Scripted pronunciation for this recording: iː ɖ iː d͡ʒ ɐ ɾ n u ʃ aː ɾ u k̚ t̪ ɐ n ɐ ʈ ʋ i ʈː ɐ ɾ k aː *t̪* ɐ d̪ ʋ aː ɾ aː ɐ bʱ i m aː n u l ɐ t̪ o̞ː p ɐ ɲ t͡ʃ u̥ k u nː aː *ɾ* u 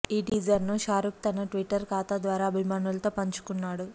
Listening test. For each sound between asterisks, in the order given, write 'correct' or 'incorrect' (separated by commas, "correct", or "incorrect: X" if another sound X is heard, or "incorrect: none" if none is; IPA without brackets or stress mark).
correct, incorrect: ɽ